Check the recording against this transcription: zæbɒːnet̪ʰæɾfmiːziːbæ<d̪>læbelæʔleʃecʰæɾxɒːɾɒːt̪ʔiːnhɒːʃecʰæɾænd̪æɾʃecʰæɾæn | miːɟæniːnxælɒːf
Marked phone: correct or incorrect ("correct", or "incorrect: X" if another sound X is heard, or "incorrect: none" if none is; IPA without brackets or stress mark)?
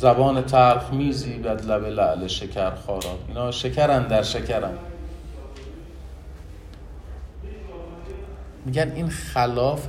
correct